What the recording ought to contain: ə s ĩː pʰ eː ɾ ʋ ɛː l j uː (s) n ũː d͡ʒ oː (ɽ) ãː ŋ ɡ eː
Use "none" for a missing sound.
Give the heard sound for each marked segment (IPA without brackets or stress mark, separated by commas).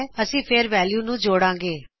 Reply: none, ɽ